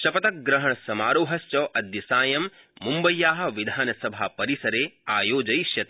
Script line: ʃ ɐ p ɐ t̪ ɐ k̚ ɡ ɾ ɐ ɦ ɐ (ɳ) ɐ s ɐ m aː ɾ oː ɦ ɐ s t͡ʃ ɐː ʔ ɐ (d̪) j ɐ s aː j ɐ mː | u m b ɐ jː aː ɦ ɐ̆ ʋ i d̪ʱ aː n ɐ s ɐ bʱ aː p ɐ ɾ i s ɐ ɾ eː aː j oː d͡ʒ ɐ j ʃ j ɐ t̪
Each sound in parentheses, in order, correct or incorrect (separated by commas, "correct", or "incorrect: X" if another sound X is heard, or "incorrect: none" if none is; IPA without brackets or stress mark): correct, correct